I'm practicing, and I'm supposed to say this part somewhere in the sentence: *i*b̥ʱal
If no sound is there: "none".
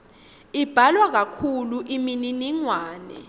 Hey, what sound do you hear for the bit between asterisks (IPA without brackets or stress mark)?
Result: i